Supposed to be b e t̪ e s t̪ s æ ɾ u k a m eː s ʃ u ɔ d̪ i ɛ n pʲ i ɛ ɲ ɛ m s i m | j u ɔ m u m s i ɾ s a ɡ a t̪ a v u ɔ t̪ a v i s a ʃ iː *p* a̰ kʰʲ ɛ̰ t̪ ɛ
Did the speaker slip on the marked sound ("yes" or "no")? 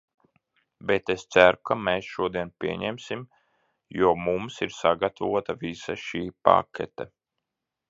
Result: no